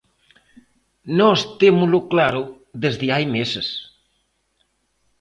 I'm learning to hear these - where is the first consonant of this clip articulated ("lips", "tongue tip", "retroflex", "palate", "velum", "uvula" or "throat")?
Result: tongue tip